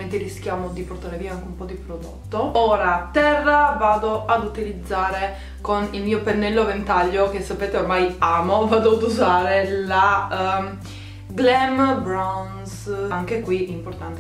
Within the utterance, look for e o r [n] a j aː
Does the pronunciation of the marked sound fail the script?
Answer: yes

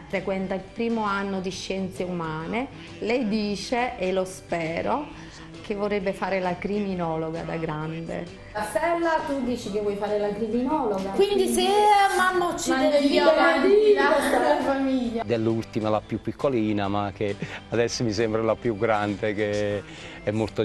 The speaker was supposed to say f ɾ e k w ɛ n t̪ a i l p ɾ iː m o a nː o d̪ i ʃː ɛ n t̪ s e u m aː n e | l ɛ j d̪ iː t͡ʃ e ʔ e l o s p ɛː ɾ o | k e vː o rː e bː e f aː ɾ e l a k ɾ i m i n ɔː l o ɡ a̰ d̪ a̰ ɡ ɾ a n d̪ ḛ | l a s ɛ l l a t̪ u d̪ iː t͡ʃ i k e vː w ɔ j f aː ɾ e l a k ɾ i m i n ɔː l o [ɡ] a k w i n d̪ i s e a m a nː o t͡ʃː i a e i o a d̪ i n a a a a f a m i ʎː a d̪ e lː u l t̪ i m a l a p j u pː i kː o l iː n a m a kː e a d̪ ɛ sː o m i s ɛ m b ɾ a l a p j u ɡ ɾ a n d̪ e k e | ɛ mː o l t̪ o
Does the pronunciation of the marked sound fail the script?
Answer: no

